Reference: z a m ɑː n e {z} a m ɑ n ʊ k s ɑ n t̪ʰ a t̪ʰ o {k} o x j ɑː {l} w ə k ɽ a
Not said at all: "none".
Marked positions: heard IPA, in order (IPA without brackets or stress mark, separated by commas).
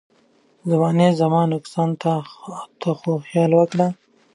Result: z, x, l